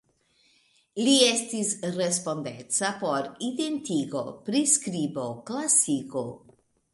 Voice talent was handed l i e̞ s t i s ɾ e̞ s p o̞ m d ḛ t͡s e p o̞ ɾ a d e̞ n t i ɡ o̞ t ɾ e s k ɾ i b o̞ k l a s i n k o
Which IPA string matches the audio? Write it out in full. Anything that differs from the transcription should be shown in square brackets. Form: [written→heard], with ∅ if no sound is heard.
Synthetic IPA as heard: l i e̞ s t i s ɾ e̞ s p o̞ [m→n] d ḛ t͡s [e→a] p o̞ ɾ [a→i] d e̞ n t i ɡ o̞ [t→p] ɾ [e→i] s k ɾ i b o̞ k l a s i [n→∅] k o